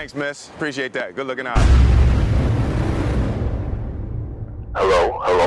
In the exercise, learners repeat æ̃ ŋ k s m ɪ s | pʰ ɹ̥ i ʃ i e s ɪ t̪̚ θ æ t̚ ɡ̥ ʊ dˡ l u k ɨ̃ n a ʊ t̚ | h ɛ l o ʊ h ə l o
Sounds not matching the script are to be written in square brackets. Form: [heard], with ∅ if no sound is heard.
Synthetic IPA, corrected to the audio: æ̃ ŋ k s m ɪ s | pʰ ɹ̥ i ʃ i e [∅] ɪ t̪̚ [ð] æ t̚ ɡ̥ ʊ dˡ l [ʊ] k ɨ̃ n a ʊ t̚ | h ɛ l o ʊ h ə l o